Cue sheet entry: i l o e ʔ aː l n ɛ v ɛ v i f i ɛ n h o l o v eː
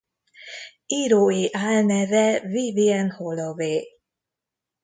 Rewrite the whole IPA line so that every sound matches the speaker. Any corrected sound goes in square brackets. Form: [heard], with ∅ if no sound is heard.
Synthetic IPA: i [ɾ] o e ʔ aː l n ɛ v ɛ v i [v] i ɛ n h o l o v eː